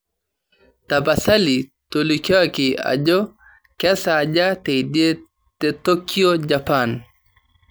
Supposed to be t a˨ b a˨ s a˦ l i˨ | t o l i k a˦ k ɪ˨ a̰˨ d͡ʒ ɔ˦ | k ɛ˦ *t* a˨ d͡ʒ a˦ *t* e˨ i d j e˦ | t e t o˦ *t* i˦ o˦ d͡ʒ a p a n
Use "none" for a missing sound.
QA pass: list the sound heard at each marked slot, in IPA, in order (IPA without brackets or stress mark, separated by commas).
s, t, k